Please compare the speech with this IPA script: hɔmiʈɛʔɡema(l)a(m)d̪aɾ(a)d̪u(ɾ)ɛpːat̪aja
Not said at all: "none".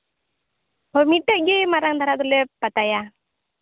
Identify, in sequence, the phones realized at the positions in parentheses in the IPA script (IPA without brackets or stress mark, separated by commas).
ɾ, ŋ, a, l